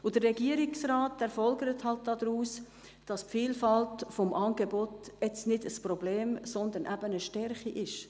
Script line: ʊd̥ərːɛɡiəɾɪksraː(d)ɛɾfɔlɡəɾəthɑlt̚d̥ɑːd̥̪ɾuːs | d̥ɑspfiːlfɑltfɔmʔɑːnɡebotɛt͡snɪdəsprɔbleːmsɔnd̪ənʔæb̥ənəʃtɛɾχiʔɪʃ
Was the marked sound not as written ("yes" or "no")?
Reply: yes